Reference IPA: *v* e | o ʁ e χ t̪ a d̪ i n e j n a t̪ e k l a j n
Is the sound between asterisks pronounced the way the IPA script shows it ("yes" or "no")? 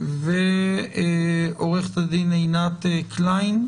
yes